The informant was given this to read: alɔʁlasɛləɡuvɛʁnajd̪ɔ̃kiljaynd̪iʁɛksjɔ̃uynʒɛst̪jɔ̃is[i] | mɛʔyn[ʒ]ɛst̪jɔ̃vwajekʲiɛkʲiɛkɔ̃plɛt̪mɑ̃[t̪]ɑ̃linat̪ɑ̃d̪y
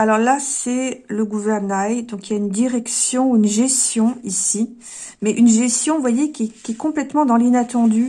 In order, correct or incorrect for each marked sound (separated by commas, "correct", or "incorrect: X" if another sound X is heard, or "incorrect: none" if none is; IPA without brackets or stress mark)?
correct, correct, incorrect: d̪